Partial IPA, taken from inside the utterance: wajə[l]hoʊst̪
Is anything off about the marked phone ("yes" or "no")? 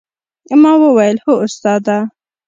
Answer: no